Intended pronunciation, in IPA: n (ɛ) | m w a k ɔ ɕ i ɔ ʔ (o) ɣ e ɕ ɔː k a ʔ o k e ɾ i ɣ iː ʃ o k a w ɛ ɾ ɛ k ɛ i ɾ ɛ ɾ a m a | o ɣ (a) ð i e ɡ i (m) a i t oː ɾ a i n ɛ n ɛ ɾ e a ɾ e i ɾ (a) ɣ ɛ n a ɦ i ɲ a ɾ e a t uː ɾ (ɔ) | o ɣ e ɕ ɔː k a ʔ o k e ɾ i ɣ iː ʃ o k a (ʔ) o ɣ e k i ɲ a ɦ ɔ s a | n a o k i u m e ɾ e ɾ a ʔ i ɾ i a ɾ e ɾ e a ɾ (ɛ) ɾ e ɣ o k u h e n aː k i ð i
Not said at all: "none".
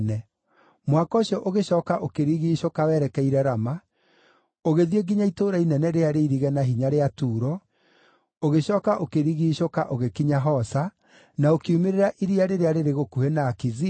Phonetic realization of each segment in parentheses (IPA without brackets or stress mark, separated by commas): ɛ, o, e, ɲ, i, ɔ, ʔ, e